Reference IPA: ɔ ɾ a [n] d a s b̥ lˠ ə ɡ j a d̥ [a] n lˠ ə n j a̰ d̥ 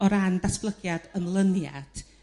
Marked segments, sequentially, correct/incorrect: correct, incorrect: ə

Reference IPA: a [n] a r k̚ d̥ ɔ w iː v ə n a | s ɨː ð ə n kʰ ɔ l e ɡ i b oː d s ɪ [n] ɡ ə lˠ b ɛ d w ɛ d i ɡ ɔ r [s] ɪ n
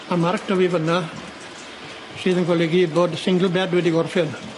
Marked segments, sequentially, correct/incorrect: incorrect: m, incorrect: ŋ, incorrect: f

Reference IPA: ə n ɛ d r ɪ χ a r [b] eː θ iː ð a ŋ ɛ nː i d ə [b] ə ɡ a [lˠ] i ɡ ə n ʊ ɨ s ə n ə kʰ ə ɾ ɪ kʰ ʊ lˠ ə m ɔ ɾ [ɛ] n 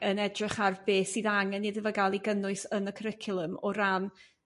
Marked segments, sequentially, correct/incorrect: correct, incorrect: v, correct, incorrect: a

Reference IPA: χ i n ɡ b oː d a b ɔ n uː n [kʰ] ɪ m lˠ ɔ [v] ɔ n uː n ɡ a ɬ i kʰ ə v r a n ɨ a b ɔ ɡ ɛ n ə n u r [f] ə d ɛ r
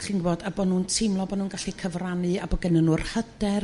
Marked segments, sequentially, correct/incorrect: incorrect: tʰ, incorrect: b, incorrect: h

